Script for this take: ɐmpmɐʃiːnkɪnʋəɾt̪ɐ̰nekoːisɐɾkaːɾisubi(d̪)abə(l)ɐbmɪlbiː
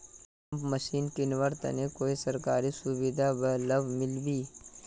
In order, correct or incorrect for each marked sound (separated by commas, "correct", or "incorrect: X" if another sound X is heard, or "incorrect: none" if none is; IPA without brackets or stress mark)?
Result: correct, correct